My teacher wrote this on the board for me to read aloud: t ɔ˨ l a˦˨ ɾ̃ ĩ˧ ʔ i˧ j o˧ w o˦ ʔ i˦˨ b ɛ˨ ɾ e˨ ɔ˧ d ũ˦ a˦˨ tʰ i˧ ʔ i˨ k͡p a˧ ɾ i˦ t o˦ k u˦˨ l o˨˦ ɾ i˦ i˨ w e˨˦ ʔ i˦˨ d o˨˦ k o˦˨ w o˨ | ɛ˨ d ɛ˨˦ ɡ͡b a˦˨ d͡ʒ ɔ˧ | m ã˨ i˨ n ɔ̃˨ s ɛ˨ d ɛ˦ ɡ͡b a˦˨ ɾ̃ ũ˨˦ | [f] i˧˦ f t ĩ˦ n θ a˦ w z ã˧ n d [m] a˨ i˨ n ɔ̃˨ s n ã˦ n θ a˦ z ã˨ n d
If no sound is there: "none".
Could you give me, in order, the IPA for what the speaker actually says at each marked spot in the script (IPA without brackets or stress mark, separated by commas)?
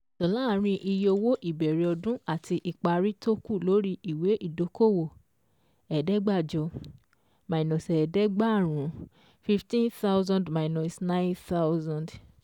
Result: f, m